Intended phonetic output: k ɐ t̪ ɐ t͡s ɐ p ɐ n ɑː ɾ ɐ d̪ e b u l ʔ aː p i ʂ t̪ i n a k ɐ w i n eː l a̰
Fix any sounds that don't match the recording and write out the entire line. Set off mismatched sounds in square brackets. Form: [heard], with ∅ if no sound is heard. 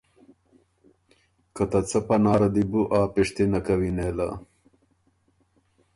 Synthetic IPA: k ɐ t̪ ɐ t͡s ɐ p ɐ n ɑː ɾ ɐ d̪ [i] b u [∅] ʔ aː p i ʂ t̪ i n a k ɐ w i n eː l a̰